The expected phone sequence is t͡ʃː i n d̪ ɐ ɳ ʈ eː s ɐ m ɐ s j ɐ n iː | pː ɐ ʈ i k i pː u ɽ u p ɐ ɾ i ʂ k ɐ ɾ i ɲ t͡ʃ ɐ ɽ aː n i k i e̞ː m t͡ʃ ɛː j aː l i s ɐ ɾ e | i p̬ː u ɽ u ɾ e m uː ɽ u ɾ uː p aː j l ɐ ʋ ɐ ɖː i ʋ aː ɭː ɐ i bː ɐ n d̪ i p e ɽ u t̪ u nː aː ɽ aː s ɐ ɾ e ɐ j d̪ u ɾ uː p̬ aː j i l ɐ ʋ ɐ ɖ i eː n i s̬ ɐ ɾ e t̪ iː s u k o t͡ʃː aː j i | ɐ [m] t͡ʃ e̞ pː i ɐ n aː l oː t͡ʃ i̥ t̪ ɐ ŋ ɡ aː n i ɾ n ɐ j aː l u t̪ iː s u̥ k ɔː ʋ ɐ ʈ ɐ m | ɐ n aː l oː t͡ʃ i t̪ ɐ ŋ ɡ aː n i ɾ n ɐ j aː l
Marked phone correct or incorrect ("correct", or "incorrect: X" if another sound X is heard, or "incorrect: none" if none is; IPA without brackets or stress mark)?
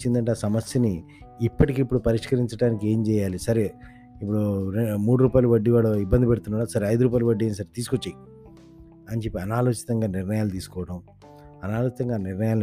incorrect: n